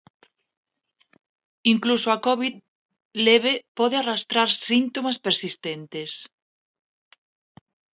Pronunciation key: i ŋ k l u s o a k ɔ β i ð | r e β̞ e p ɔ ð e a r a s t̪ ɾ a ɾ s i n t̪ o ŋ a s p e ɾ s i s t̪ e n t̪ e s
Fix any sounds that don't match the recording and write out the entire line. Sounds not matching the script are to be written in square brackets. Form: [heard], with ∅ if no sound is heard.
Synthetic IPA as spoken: i ŋ k l u s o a k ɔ β i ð | [l] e β̞ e p ɔ ð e a r a s t̪ ɾ a ɾ s i n t̪ o [m] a s p e ɾ s i s t̪ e n t̪ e s